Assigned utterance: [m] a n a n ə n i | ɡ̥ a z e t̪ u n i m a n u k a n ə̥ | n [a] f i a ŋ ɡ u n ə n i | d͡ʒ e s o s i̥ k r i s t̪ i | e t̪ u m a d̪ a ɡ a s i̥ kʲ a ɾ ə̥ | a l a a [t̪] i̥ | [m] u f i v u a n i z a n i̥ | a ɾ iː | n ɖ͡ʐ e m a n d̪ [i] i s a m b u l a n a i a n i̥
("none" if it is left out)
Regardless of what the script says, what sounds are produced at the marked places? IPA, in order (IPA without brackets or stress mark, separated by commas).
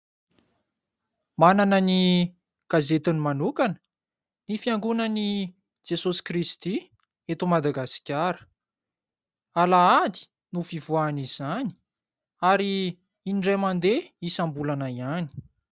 m, i, d̪, n, e